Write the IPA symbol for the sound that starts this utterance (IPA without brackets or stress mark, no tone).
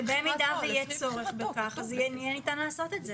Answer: b